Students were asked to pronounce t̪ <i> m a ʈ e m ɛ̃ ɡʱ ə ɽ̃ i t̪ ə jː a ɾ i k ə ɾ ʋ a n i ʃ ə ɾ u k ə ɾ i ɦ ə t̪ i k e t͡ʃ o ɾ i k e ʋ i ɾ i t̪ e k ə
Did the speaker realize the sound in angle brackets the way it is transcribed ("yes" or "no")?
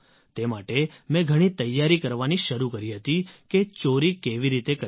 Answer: no